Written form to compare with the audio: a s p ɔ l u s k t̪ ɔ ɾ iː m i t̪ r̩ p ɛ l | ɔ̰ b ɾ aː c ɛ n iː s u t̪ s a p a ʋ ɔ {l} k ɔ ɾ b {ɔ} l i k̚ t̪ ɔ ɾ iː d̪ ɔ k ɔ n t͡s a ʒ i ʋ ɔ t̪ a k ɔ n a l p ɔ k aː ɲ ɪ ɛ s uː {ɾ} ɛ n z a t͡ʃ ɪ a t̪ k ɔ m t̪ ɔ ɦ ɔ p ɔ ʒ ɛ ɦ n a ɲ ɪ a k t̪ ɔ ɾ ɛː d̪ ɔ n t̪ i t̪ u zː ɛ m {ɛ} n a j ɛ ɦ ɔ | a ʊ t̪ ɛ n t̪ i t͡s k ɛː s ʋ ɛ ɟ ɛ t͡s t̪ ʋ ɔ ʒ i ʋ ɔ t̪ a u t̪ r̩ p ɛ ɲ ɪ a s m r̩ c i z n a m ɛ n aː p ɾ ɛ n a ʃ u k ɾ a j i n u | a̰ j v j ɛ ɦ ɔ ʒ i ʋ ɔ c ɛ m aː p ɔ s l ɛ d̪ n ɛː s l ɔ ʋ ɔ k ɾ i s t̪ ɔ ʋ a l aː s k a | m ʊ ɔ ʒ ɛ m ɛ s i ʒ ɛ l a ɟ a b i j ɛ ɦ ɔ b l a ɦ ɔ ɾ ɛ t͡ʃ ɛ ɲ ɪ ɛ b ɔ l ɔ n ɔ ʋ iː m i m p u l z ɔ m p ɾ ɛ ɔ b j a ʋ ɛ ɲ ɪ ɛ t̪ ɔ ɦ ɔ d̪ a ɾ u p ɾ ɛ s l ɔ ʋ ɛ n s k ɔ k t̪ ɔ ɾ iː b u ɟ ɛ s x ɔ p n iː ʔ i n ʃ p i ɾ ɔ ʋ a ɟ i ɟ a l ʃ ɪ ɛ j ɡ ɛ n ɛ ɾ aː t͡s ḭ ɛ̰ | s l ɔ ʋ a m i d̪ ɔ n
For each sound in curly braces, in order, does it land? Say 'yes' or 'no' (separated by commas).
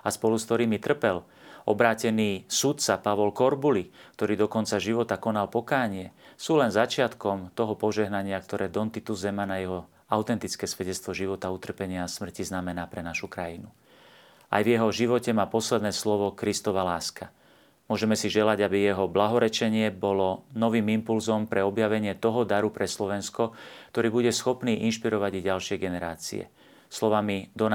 yes, no, no, no